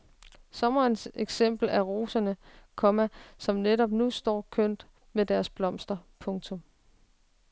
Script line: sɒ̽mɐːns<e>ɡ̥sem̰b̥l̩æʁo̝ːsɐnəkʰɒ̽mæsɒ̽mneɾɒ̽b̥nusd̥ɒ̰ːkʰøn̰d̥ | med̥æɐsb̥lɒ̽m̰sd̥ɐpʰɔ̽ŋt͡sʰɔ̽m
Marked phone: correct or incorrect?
correct